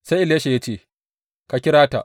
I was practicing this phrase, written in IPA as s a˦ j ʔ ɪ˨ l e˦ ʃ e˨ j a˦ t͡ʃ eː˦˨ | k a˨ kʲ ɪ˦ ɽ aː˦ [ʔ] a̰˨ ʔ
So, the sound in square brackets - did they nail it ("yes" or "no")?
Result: no